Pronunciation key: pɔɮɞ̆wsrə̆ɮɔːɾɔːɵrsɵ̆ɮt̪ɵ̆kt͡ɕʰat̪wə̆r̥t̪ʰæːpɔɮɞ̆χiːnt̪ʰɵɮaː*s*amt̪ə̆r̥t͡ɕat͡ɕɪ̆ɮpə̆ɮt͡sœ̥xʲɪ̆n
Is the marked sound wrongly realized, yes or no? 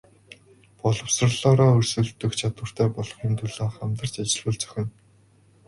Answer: yes